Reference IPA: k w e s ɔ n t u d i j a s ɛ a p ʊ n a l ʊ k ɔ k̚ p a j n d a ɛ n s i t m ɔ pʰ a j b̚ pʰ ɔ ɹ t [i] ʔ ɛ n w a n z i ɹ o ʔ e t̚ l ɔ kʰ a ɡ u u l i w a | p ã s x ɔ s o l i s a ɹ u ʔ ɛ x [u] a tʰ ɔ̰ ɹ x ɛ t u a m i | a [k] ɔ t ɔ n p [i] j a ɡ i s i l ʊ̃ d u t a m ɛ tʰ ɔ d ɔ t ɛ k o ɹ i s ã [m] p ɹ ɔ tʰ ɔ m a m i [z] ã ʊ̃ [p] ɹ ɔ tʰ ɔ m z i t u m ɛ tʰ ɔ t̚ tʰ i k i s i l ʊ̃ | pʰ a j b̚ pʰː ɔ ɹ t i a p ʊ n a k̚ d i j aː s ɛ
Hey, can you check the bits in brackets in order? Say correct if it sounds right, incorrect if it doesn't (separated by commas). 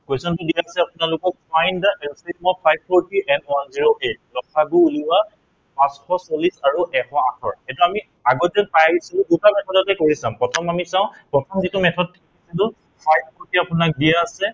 correct, incorrect, incorrect, incorrect, correct, incorrect, correct